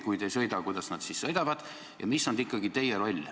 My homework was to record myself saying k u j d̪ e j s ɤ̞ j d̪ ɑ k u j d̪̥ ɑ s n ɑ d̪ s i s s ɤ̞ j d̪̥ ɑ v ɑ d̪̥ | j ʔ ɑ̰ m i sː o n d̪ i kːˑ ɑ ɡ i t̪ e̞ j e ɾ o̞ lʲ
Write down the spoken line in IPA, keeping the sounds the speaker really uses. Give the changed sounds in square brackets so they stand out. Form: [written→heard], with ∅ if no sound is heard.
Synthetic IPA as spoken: k u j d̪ e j s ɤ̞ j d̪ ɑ k u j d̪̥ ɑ s n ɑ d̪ s i s s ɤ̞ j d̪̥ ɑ v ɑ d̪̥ | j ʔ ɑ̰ m i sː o n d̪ i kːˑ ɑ ɡ i t̪ e̞ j e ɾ o̞ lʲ